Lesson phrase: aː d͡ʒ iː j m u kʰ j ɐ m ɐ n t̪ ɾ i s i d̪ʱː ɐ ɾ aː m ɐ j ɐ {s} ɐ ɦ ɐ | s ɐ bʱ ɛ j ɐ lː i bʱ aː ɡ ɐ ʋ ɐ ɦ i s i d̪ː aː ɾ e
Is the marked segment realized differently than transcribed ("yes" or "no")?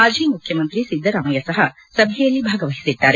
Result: no